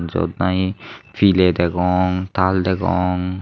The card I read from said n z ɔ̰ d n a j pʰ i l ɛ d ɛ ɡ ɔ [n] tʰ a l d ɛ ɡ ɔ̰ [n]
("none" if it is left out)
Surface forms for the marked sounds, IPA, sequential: ŋ, ŋ

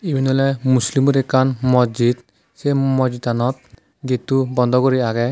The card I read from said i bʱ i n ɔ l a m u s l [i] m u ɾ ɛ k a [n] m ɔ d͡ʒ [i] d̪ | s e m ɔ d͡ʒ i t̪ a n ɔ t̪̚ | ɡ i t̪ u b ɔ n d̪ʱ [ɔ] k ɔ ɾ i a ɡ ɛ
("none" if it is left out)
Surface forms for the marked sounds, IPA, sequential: i, n, i, ɔ

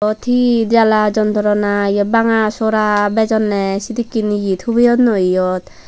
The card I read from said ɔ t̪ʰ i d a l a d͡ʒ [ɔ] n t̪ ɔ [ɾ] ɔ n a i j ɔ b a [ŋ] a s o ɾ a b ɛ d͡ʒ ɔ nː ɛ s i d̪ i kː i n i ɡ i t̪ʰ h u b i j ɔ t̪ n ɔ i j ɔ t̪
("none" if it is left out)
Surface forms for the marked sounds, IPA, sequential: ɔ, ɾ, ŋ

